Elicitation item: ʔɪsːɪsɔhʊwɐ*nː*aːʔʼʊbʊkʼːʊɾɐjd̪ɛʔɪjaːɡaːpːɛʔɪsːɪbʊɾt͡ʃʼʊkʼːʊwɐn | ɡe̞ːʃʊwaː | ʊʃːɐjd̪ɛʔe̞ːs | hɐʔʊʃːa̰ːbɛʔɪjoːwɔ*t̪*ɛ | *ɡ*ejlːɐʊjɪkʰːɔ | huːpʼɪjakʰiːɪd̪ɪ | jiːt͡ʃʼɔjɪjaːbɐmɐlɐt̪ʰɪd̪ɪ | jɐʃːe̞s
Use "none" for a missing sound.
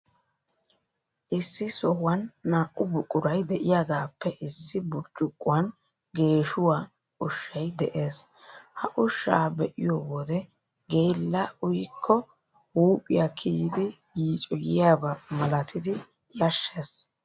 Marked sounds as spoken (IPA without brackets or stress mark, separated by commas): nː, d̪, ɡ